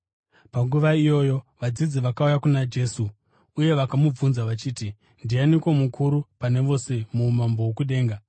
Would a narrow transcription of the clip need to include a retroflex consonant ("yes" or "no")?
no